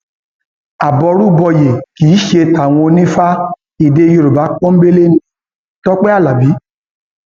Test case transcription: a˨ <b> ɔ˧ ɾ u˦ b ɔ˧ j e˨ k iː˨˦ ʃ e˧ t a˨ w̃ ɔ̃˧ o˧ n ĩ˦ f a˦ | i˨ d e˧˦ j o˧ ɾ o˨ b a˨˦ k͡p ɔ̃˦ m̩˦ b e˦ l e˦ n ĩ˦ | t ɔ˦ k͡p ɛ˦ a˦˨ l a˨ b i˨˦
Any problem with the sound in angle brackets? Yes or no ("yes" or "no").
no